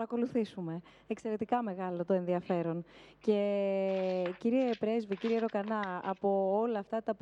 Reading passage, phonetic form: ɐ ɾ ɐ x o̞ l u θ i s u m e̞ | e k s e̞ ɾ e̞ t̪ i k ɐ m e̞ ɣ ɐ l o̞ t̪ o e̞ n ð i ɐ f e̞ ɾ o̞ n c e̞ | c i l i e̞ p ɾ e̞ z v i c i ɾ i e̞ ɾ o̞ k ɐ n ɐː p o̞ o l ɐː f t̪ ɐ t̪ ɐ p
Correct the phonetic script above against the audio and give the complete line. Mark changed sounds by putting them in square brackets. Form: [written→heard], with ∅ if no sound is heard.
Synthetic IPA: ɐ ɾ ɐ [x→k] o̞ l u θ i s u m e̞ | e k s e̞ ɾ e̞ t̪ i k ɐ m e̞ ɣ ɐ l o̞ t̪ o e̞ n ð i ɐ f e̞ ɾ o̞ n c e̞ | c i [l→ɾ] i e̞ p ɾ e̞ z v i c i ɾ i e̞ ɾ o̞ k ɐ n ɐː p o̞ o l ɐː f t̪ ɐ t̪ ɐ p